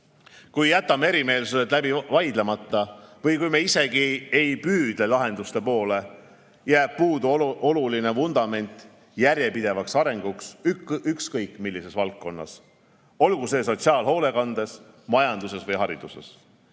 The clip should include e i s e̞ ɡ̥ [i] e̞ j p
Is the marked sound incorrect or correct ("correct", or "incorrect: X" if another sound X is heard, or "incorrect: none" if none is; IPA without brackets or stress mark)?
correct